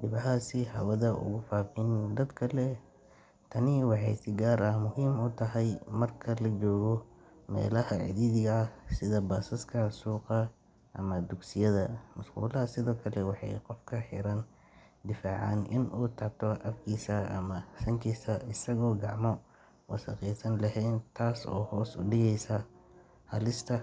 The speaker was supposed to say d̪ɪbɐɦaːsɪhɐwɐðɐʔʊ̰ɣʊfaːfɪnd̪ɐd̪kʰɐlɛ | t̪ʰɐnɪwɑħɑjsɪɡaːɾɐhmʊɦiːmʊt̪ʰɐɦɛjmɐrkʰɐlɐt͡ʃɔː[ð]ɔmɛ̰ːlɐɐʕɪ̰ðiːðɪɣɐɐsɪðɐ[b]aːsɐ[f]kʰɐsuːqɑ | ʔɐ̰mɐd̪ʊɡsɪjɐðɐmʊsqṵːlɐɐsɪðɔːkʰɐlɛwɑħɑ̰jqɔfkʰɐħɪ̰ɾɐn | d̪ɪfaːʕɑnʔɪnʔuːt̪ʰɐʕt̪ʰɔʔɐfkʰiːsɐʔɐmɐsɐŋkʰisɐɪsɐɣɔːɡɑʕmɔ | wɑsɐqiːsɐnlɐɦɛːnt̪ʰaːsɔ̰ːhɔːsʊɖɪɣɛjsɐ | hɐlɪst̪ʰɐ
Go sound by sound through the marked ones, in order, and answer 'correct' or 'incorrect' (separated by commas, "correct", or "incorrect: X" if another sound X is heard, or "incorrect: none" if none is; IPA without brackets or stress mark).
incorrect: ɣ, correct, incorrect: s